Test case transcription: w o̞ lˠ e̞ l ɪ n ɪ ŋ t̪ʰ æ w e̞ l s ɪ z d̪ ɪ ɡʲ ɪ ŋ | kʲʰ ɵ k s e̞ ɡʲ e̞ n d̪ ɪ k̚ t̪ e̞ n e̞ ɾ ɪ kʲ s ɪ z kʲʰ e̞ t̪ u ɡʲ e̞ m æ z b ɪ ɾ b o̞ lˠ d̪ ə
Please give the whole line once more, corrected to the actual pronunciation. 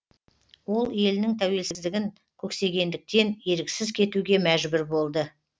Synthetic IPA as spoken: w o̞ lˠ e̞ l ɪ n ɪ ŋ t̪ʰ æ w e̞ l s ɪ z d̪ ɪ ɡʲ ɪ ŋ | kʲʰ ɵ k s e̞ ɡʲ e̞ n d̪ ɪ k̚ t̪ e̞ n e̞ ɾ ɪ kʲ s ɪ z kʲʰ e̞ t̪ u ɡʲ e̞ m æ ʒ b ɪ ɾ b o̞ lˠ d̪ ə

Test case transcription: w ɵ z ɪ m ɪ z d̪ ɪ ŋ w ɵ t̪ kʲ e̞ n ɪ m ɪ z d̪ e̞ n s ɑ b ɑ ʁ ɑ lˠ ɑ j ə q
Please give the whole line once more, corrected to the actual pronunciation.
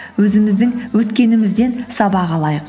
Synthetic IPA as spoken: w ɵ z ɪ m ɪ z d̪ ɪ ŋ w ɵ t̪ kʲ e̞ n ɪ m ɪ z d̪ e̞ n s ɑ b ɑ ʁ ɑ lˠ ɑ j ə q

